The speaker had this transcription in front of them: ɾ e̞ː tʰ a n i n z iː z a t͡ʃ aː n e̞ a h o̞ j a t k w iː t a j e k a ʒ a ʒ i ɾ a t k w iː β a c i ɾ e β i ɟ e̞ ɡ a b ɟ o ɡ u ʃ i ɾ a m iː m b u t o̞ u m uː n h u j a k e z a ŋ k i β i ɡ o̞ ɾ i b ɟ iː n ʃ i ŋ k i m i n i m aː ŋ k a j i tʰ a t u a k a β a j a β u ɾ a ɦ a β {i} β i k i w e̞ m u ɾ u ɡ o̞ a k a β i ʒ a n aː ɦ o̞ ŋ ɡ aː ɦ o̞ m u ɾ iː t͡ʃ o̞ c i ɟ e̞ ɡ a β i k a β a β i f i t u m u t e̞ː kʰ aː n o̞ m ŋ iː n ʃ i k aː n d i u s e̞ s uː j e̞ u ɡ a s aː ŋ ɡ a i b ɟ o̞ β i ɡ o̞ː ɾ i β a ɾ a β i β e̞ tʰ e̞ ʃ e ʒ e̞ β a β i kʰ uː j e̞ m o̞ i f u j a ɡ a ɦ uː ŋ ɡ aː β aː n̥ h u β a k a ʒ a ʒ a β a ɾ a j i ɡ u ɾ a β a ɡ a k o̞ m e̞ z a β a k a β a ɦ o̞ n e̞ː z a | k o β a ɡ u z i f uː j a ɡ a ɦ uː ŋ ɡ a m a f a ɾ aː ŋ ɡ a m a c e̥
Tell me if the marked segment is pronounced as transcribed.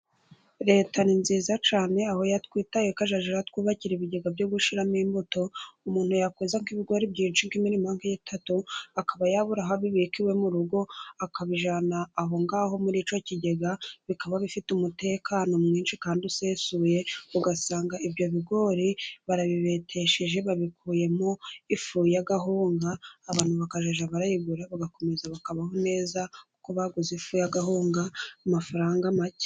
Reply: yes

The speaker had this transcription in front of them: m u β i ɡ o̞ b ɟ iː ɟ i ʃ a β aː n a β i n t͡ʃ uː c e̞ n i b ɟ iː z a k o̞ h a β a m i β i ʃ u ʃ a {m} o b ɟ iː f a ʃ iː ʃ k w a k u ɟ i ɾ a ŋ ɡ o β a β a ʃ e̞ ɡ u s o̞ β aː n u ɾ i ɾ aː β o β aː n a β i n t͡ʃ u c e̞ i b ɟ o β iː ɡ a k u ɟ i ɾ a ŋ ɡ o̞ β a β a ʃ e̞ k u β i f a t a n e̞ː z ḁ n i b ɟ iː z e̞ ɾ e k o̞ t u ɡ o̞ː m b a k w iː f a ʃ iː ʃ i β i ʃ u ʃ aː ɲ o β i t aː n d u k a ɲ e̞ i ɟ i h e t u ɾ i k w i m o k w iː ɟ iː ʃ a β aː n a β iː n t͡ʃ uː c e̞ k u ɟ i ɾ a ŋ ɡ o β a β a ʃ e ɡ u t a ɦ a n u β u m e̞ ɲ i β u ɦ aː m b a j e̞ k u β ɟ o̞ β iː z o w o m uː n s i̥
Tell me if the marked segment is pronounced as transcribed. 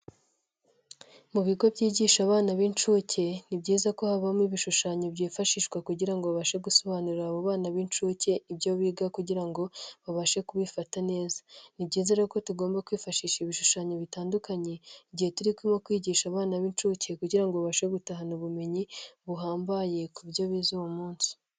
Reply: no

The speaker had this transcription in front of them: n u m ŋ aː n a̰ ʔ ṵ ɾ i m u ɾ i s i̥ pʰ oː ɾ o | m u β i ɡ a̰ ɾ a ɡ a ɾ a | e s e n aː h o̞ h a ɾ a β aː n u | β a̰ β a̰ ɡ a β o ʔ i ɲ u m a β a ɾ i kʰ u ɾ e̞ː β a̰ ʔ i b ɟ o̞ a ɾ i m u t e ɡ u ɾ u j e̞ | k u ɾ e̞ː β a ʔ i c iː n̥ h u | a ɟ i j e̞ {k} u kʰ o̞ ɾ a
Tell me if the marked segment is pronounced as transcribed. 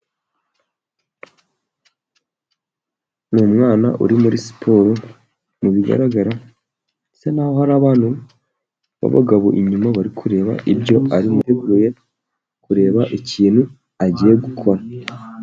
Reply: no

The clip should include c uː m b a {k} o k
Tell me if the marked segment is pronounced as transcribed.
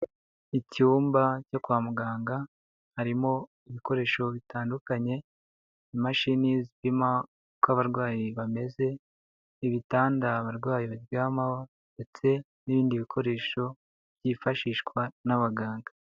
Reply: no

